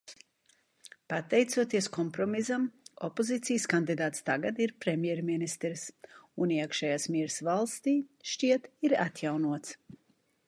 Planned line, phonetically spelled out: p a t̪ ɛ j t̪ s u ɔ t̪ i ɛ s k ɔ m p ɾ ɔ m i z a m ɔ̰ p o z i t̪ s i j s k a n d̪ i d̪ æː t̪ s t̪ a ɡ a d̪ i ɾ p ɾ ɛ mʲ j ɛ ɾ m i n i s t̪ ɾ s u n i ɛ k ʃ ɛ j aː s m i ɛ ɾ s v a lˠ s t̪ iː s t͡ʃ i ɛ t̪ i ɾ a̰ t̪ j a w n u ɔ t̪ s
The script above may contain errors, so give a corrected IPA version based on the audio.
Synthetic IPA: p a t̪ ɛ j t̪ s u ɔ t̪ i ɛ s k ɔ m p ɾ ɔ m i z a m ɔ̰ p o z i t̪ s i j s k a n d̪ i d̪ aː t̪ s t̪ a ɡ a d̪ i ɾ p ɾ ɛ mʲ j ɛ ɾ m i n i s t̪ ɾ s u n i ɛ k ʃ ɛ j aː s m i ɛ ɾ s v a lˠ s t̪ iː ʃ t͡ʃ i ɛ t̪ i ɾ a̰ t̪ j a w n u ɔ t̪ s